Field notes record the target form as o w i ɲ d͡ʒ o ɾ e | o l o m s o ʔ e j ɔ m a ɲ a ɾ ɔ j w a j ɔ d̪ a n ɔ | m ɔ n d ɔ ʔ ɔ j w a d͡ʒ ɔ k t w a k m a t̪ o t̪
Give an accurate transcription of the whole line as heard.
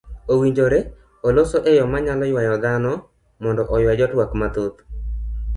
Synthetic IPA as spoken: o w i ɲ d͡ʒ o ɾ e | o l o s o ʔ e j ɔ m a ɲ a l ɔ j w a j ɔ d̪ a n ɔ | m ɔ n d ɔ ʔ ɔ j w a d͡ʒ ɔ t w a k m a t̪ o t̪

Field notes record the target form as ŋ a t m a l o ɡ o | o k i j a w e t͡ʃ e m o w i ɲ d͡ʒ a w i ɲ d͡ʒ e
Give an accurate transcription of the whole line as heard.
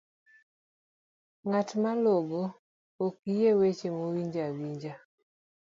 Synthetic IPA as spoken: ŋ a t m a l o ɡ o | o k i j e w e t͡ʃ e m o w i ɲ d͡ʒ a w i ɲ d͡ʒ a

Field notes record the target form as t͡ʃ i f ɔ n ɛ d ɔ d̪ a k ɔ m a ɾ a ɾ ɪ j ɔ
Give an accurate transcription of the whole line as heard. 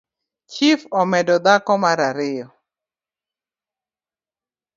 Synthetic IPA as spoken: t͡ʃ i f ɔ m ɛ d ɔ d̪ a k ɔ m a ɾ a ɾ ɪ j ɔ

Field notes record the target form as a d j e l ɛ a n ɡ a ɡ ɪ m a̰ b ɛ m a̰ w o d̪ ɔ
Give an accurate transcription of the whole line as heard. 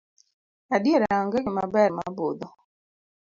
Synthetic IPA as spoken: a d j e ɾ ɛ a ŋ ɡ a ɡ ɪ m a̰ b ɛ m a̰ b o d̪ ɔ

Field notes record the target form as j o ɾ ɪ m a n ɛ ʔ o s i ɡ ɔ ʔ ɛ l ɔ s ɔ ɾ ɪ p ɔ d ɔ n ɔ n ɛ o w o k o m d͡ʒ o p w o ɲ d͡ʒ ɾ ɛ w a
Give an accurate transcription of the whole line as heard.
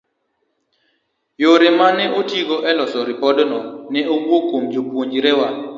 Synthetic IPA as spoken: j o ɾ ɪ m a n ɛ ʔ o t i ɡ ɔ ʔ ɛ l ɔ s ɔ ɾ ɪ p ɔ d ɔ n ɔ n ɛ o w o k o m d͡ʒ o p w o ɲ d͡ʒ ɾ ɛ w a

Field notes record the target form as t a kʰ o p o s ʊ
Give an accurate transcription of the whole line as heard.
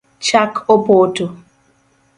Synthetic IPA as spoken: t͡ʃ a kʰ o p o t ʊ

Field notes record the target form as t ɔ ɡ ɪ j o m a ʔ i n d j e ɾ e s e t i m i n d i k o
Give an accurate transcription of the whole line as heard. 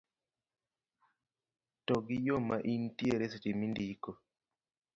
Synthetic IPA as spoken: t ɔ ɡ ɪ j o m a ʔ i n t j e ɾ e s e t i m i n d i k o

